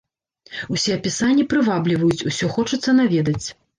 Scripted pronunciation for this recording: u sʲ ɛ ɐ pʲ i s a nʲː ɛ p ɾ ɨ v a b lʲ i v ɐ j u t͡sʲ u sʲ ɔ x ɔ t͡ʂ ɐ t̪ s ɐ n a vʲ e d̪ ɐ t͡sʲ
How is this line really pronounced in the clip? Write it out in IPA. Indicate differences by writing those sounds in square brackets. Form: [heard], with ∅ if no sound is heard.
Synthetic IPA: u sʲ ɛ ɐ pʲ i s a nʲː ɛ p ɾ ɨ v a b lʲ i v ɐ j u t͡sʲ u sʲ ɔ x ɔ t͡ʂ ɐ t̪ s ɐ n a vʲ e d̪ ɐ t͡sʲ